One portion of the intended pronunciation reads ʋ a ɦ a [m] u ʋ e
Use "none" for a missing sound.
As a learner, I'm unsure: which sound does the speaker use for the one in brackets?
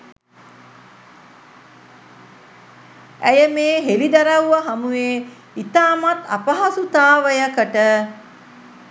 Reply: m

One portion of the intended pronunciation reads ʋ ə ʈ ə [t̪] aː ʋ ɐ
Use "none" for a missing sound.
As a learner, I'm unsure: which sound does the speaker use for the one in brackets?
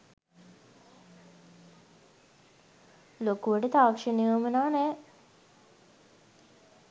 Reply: t̪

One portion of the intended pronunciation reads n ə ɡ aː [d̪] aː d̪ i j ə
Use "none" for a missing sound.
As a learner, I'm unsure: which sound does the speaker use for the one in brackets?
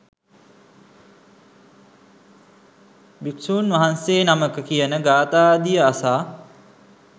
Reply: t̪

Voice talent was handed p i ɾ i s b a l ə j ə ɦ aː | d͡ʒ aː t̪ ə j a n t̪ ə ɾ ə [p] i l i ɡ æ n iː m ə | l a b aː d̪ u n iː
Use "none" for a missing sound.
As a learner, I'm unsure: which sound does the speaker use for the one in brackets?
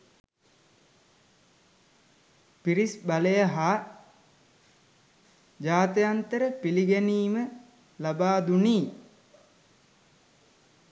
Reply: p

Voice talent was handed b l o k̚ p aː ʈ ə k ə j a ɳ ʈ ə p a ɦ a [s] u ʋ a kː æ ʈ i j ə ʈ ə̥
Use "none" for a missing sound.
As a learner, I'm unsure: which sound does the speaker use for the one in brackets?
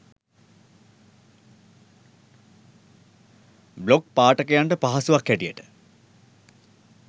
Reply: s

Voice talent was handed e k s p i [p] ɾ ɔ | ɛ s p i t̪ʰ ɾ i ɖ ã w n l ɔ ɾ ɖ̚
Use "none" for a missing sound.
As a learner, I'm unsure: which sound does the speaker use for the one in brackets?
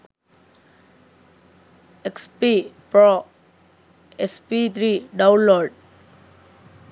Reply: p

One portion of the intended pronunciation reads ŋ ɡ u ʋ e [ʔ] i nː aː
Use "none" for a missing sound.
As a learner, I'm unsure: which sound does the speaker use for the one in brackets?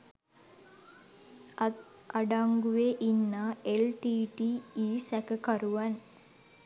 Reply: ʔ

